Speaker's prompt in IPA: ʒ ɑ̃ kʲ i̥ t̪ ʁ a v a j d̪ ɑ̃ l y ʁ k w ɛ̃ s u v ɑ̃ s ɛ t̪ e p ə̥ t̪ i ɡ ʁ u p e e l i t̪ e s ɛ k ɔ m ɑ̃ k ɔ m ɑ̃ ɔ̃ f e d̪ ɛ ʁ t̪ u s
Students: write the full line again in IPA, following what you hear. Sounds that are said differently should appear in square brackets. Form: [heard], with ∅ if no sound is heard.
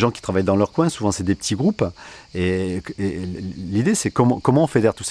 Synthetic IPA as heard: ʒ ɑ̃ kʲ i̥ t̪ [χ] a v a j d̪ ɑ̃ l [œ] ʁ k w ɛ̃ s u v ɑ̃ s ɛ [d̪] e p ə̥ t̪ i ɡ ʁ u p e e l i [d̪] e s ɛ k ɔ m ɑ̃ k ɔ m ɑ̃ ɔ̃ f e d̪ ɛ ʁ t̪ u s